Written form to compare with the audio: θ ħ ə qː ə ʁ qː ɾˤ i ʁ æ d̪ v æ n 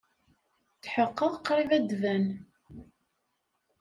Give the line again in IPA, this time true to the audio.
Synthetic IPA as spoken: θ ħ ə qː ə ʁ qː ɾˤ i v æ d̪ v æ n